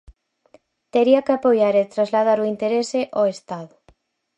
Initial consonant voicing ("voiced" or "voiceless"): voiceless